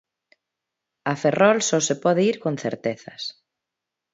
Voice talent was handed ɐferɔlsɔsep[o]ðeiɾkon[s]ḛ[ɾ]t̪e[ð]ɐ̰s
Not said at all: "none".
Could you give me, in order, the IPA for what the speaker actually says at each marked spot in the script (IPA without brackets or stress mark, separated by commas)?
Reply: ɔ, θ, ɾ, θ